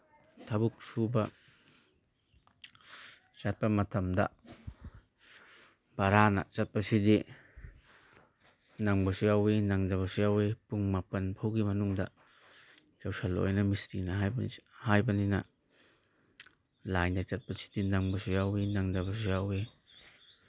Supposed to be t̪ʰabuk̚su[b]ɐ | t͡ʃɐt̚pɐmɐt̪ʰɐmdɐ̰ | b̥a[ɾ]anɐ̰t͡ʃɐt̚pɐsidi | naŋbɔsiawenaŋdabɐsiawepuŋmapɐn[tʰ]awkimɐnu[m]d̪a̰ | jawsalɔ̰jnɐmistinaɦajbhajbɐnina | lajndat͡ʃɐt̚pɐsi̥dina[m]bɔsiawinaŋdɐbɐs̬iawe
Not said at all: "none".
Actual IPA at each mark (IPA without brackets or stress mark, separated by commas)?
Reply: b, ɾ, pʰ, ŋ, ŋ